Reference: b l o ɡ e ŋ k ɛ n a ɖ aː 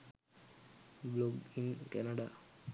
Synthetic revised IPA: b l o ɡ i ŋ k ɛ n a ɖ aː